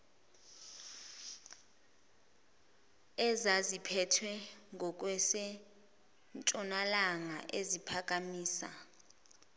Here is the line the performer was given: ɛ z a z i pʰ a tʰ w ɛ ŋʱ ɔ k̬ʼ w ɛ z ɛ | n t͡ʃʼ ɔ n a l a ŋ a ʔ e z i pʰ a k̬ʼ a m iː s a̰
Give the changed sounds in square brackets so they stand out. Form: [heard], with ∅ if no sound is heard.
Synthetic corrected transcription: ɛ z a z i pʰ [ɛ] tʰ w ɛ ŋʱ ɔ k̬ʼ w ɛ [s] ɛ | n t͡ʃʼ ɔ n a l a ŋ a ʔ e z i pʰ a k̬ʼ a m iː s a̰